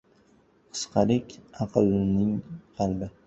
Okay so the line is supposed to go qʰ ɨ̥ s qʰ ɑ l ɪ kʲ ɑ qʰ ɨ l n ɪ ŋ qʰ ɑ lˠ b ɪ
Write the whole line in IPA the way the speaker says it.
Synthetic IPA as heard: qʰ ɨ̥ s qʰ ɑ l ɪ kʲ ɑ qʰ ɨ l n ɪ ŋ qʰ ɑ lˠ b ɪ